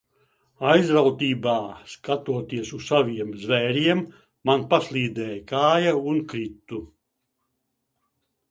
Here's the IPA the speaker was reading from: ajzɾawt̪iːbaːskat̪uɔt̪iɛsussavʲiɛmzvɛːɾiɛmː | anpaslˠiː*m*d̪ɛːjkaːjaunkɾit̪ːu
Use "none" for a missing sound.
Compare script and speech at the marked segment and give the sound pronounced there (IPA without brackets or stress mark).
none